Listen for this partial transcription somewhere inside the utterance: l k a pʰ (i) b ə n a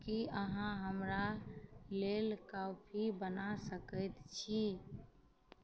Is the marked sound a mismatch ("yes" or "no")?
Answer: no